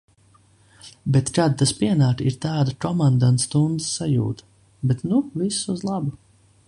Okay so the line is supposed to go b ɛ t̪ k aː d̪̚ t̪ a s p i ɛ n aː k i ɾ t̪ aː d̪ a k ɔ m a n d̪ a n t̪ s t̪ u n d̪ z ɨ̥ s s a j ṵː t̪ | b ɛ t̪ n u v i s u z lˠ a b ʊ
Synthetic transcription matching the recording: b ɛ t̪ k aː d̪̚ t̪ a s p i ɛ n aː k i ɾ t̪ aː d̪ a k ɔ m a n d̪ a n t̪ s t̪ u n d̪ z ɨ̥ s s a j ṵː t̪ | b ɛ t̪ n u v i s u z lˠ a b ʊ